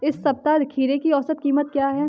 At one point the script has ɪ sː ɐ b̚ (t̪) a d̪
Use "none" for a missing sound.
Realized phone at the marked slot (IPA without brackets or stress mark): t̪